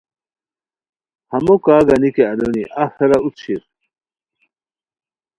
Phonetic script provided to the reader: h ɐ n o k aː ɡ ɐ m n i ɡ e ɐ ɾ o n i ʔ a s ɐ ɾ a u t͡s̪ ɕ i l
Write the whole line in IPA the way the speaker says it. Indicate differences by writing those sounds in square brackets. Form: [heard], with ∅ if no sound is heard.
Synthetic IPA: h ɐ [m] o k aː ɡ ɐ [∅] n i [k] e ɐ [l] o n i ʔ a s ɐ ɾ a u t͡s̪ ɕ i [ɾ]